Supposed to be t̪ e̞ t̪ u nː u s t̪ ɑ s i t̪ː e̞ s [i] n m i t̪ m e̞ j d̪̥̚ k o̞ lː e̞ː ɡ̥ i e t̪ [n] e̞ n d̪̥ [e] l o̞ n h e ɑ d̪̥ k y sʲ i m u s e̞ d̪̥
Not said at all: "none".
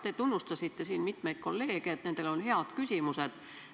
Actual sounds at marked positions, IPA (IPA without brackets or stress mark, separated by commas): iː, n, e